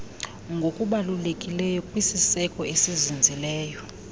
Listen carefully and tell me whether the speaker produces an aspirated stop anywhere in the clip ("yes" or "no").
no